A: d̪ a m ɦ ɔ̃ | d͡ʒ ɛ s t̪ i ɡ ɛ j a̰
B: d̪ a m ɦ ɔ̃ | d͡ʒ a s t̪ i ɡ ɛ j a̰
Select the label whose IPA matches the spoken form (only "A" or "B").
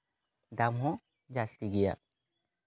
B